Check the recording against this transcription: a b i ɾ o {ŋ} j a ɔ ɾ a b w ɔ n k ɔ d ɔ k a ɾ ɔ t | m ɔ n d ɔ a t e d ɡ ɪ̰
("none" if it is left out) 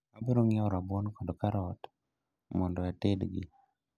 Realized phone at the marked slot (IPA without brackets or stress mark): ŋ